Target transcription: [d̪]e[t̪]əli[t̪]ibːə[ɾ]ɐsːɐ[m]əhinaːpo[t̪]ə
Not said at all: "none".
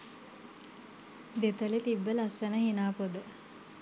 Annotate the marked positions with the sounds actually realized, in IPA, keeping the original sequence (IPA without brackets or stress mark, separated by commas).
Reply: d̪, t̪, t̪, l, n, d̪